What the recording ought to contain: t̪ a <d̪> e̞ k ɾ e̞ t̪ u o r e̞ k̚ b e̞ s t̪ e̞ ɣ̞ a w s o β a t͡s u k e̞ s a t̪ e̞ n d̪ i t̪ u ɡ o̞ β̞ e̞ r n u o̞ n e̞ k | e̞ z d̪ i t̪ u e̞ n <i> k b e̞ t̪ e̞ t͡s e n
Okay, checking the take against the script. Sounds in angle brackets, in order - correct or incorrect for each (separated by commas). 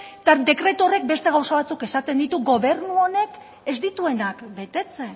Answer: correct, incorrect